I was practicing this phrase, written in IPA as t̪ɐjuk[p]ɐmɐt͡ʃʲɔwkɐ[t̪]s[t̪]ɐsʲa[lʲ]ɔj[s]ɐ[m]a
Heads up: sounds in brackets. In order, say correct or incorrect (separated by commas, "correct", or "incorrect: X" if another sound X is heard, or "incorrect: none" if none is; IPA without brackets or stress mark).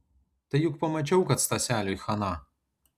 correct, correct, correct, correct, incorrect: x, incorrect: n